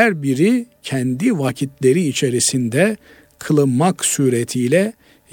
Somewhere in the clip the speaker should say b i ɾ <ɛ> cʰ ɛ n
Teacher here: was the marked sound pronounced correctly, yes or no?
no